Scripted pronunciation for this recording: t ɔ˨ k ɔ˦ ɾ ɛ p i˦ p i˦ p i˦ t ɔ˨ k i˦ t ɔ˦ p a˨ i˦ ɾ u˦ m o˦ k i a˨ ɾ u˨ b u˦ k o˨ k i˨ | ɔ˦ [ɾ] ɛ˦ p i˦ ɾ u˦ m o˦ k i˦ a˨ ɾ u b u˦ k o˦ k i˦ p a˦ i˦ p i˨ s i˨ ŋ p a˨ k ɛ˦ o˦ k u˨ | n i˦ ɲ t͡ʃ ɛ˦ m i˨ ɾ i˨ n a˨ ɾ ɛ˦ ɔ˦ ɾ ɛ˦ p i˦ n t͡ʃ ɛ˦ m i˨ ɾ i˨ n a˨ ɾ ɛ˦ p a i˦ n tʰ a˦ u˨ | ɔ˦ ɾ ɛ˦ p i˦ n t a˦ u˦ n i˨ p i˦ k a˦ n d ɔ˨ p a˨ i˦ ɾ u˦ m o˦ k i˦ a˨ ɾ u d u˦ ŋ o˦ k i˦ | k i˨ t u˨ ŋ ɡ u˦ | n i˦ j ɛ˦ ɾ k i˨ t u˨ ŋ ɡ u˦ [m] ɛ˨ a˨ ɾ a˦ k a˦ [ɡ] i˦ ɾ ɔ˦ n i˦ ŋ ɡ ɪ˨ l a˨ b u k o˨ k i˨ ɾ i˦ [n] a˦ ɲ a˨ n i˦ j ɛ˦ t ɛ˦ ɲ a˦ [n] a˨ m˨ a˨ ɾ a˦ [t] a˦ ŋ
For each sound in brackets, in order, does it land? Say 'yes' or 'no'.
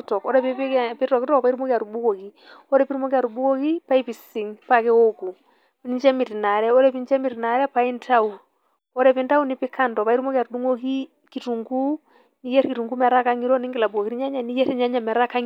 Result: yes, yes, no, no, no, no

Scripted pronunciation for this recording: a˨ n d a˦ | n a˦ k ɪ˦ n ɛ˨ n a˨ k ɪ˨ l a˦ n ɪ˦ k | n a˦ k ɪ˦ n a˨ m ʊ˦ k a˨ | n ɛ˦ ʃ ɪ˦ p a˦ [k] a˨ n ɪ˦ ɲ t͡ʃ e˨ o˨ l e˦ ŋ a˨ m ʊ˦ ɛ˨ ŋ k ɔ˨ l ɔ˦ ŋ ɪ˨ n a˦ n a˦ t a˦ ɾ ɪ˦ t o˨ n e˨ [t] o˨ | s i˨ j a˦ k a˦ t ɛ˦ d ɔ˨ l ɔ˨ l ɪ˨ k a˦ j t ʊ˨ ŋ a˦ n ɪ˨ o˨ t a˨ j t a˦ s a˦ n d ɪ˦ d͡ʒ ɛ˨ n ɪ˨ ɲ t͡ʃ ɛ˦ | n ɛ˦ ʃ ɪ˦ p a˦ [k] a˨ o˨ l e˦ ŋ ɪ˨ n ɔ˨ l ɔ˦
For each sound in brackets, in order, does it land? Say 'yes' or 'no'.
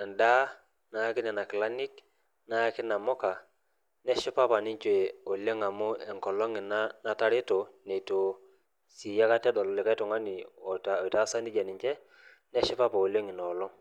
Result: no, yes, no

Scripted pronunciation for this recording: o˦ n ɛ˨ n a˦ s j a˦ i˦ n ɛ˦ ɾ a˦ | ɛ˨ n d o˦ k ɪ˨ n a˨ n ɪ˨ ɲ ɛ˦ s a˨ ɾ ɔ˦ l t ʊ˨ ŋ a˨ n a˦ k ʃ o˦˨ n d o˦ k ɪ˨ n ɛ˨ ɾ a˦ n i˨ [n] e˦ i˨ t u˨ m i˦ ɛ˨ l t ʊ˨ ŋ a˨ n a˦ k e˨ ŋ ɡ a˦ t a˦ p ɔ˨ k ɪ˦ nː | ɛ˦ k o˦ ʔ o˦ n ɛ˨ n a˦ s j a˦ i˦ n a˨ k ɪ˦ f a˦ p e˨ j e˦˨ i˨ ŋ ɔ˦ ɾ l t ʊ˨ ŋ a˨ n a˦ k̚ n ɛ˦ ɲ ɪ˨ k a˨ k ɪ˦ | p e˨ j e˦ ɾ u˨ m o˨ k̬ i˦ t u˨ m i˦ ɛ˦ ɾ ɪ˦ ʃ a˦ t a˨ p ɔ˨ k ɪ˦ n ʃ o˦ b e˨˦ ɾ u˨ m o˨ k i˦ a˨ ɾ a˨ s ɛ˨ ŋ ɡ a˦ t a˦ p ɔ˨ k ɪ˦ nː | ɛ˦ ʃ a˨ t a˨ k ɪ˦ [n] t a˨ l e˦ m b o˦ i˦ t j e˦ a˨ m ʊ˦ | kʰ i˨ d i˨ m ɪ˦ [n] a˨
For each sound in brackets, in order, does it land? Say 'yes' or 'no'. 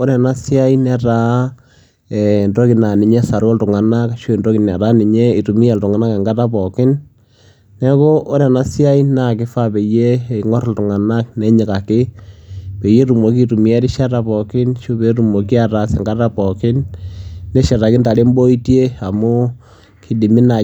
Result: no, yes, yes

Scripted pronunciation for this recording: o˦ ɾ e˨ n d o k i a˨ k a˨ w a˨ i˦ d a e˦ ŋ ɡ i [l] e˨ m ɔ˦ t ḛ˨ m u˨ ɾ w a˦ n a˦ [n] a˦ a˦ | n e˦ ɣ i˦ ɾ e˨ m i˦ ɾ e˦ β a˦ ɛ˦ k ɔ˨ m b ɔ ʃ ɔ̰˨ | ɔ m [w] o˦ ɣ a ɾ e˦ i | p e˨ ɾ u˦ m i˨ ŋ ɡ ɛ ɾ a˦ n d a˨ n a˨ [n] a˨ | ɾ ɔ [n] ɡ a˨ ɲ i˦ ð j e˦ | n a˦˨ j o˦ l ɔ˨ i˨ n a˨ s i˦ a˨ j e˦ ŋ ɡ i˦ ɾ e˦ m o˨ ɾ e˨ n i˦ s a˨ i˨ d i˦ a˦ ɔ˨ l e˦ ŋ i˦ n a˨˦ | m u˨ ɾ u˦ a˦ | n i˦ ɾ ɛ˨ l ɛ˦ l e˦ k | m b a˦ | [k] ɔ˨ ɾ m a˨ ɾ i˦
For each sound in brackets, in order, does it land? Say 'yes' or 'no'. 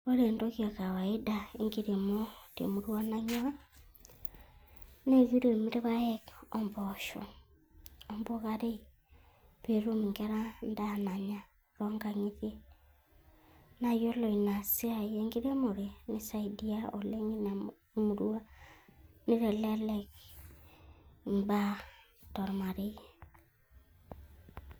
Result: no, no, no, no, no, no

